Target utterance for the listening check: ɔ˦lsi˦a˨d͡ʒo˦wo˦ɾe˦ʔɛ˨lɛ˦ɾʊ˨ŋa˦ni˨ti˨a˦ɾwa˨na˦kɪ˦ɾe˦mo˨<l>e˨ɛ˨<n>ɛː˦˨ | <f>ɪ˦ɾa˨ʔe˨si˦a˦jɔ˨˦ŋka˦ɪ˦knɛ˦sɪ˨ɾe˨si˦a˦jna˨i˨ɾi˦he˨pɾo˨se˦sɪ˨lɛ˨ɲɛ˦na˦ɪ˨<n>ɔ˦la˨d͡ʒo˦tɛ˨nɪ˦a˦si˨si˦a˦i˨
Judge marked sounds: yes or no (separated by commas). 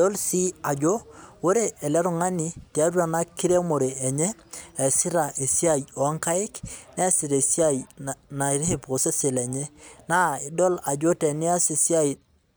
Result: no, no, no, no